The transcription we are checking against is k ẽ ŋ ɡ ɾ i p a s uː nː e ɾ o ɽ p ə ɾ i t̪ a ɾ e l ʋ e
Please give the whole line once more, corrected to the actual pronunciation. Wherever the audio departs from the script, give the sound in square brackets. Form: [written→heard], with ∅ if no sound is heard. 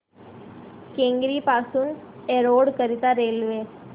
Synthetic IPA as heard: k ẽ ŋ ɡ ɾ i p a s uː [nː→n] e ɾ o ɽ [p→k] ə ɾ i t̪ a ɾ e l ʋ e